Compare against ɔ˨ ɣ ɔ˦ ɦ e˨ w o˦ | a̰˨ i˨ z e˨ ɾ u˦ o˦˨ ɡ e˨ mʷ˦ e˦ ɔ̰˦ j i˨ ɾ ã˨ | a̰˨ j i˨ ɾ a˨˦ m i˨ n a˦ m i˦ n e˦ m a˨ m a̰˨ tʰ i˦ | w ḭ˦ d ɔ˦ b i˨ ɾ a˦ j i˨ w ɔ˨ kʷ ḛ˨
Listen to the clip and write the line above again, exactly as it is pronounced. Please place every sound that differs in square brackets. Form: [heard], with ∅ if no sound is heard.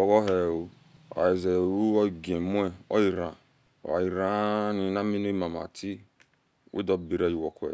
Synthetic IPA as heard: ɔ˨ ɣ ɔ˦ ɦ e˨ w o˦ | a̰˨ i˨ z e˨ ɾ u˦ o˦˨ ɡ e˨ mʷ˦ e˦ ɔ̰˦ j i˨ ɾ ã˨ | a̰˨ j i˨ ɾ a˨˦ [n] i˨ n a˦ m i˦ n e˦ m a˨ m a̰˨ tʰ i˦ | w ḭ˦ d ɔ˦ b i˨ ɾ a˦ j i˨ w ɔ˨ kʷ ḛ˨